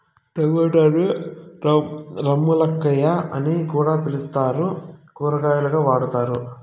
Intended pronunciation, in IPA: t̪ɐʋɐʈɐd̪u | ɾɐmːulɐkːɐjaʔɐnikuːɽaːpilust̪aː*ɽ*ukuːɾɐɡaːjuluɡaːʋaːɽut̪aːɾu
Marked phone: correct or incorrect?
incorrect: ɾ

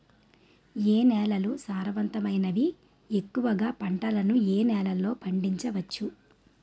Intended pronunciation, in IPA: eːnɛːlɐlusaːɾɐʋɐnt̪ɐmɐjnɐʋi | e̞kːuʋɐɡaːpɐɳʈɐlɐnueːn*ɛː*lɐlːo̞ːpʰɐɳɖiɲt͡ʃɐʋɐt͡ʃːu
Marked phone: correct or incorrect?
correct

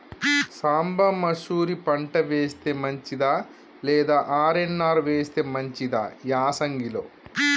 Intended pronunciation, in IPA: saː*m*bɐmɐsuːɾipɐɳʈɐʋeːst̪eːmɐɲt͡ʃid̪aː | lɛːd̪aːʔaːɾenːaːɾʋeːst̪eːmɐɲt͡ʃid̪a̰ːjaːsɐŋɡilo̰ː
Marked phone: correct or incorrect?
correct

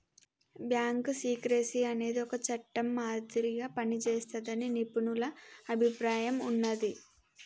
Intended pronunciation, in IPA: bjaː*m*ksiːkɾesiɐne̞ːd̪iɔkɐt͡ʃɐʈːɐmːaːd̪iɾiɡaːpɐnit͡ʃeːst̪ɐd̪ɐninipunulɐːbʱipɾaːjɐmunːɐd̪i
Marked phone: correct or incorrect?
incorrect: ŋ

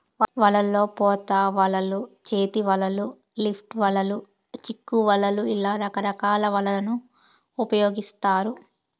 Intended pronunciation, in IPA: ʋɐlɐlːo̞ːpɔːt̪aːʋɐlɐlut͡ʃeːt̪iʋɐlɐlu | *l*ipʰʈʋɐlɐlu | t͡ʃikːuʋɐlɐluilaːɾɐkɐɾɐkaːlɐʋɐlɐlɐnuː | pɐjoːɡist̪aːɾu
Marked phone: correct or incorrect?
correct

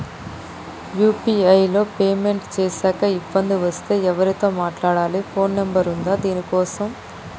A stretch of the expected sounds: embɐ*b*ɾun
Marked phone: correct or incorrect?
incorrect: none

